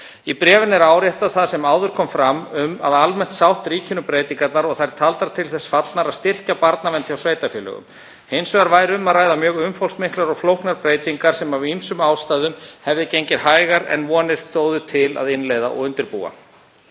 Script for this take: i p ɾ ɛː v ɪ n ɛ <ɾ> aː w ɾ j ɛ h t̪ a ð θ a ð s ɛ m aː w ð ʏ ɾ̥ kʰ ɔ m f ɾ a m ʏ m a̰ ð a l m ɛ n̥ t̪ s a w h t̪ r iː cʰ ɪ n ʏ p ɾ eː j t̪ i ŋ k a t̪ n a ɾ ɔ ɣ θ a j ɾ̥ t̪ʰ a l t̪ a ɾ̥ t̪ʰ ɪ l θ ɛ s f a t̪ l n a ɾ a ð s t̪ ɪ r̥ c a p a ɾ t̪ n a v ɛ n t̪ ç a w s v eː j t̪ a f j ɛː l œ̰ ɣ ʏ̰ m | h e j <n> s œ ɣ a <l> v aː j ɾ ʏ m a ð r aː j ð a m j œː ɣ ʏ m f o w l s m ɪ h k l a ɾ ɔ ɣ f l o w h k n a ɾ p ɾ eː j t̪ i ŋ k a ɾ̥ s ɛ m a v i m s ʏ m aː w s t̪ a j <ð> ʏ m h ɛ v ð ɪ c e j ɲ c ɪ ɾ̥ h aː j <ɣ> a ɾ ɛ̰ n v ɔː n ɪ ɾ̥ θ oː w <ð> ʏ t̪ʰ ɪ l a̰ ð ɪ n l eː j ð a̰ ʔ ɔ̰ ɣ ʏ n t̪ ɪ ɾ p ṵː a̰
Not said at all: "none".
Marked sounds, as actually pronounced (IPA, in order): ɾ, n, ɾ, ð, ɣ, ð

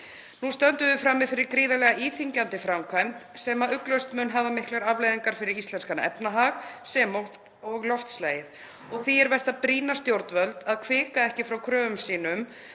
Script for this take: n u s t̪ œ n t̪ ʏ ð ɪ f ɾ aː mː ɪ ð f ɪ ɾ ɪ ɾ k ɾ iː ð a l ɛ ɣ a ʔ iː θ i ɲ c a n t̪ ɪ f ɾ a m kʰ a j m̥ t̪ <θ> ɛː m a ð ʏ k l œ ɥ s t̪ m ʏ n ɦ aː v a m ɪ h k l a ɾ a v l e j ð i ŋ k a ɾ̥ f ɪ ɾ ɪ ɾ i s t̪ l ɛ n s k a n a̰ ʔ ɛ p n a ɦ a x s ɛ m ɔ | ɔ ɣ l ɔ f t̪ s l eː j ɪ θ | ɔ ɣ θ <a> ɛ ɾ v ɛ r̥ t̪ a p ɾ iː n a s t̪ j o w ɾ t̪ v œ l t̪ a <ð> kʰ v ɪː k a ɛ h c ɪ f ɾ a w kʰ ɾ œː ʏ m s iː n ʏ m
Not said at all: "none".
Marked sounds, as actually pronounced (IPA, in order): s, i, ð

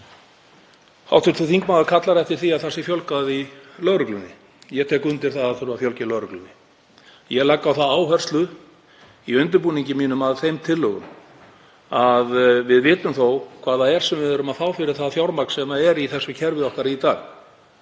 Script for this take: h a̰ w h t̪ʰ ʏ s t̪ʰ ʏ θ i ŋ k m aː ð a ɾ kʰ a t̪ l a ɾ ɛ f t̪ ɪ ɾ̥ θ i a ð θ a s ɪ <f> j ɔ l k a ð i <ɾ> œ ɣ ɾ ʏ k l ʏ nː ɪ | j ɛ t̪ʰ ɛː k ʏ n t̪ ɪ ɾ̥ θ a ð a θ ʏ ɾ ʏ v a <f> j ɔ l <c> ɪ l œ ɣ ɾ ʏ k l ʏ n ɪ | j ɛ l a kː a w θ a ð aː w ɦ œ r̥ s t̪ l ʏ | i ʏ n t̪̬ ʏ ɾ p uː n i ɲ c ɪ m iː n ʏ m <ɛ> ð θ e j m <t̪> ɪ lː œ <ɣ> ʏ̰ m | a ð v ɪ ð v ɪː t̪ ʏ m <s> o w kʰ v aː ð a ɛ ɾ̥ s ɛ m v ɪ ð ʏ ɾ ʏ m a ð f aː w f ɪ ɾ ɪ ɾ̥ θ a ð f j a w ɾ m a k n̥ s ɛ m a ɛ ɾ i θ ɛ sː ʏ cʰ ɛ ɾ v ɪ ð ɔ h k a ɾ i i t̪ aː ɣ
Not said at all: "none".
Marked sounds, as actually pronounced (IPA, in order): f, l, f, c, a, t̪ʰ, ɣ, θ

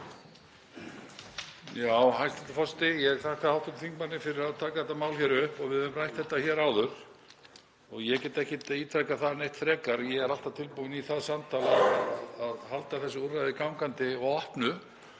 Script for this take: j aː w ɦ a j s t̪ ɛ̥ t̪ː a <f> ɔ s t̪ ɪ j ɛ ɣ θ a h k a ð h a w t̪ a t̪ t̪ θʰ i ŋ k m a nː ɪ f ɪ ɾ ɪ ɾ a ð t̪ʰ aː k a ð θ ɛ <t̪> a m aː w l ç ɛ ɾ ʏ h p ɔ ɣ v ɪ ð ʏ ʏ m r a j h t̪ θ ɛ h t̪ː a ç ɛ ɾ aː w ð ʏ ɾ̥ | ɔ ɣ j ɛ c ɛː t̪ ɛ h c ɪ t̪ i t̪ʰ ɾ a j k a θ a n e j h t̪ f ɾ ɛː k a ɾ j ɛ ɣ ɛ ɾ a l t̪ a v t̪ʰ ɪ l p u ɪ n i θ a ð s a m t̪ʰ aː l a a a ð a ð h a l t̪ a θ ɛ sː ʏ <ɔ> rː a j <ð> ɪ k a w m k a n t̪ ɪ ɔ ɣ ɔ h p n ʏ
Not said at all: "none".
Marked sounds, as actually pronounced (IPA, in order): f, t̪, u, ð

